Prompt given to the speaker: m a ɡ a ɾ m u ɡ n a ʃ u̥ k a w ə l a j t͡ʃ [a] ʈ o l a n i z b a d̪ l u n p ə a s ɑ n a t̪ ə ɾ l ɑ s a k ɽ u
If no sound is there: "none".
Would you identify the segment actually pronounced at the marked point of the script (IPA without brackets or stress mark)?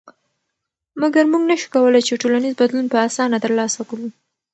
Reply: e